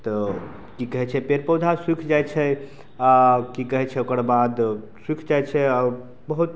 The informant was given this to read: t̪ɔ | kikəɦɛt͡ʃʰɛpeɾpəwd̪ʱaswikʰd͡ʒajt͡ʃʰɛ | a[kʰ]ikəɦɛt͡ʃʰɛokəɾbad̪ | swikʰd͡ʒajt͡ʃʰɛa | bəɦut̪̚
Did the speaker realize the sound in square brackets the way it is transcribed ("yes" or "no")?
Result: no